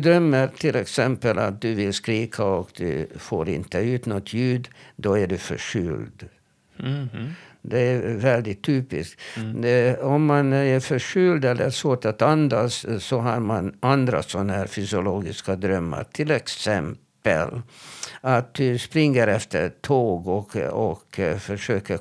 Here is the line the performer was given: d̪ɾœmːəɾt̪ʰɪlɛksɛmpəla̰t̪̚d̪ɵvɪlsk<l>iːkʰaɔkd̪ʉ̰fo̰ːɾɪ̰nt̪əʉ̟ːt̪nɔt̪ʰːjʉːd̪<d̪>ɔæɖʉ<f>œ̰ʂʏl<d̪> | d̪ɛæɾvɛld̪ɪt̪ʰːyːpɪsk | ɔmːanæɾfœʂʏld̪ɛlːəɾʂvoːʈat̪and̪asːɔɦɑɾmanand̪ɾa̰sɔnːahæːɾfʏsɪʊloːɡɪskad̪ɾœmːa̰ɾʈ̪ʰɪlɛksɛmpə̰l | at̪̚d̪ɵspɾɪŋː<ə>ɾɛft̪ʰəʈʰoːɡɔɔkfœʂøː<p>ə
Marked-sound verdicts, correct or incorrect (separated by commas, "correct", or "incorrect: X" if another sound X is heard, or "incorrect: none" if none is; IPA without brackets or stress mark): incorrect: ɾ, correct, correct, correct, correct, incorrect: k